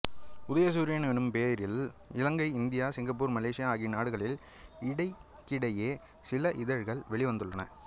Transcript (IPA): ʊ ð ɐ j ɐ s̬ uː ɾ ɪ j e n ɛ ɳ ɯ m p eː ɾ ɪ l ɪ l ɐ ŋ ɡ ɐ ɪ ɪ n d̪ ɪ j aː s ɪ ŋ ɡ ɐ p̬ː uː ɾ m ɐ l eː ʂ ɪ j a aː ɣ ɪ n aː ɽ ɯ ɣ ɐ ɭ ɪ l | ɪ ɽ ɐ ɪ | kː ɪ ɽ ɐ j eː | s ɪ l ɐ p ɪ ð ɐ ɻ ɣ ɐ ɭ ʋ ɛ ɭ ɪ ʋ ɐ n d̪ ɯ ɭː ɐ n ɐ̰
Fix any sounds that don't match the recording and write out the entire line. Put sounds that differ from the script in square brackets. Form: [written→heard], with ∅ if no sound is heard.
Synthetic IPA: ʊ ð ɐ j ɐ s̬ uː ɾ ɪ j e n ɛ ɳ ɯ m p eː ɾ ɪ l ɪ l ɐ ŋ ɡ ɐ ɪ ɪ n d̪ ɪ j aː s ɪ ŋ ɡ ɐ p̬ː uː ɾ m ɐ l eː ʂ ɪ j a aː ɣ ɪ n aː ɽ ɯ ɣ ɐ ɭ ɪ l | ɪ ɽ ɐ ɪ | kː ɪ ɽ ɐ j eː | s ɪ l ɐ [p→ʔ] ɪ ð ɐ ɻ ɣ ɐ ɭ ʋ ɛ ɭ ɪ ʋ ɐ n d̪ ɯ ɭː ɐ n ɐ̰